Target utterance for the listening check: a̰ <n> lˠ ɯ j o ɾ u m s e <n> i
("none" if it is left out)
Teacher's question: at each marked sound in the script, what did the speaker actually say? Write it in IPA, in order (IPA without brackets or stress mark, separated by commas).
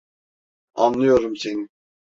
n, n